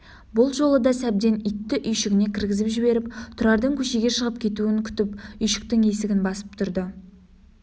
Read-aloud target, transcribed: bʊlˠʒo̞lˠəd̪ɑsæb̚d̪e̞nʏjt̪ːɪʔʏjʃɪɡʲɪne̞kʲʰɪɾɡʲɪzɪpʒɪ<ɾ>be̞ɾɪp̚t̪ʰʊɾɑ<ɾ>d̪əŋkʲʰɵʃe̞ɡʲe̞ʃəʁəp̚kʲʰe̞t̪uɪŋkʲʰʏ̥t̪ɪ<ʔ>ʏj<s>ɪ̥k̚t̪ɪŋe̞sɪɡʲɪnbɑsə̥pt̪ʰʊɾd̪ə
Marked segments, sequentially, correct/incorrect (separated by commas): incorrect, correct, incorrect, incorrect